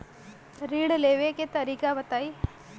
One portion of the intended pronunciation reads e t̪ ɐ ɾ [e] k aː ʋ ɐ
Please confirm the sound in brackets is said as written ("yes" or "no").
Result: no